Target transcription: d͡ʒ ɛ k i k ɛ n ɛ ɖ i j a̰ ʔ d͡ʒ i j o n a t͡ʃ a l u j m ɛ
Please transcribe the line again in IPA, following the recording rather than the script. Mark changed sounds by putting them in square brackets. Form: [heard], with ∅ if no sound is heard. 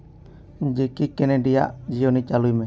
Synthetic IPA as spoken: d͡ʒ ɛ k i k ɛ n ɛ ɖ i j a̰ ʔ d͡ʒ i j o n [i] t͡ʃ a l u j m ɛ

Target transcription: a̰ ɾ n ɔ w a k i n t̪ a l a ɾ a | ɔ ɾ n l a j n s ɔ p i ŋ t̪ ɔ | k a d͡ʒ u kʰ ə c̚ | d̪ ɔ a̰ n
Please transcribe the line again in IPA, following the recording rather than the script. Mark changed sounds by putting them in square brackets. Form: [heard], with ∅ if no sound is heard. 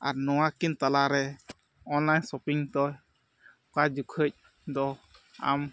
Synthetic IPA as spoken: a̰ ɾ n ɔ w a k i n t̪ a l a ɾ [ɛ] | ɔ [∅] n l a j n s ɔ p i ŋ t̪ ɔ | k a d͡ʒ u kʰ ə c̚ | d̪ ɔ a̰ [m]

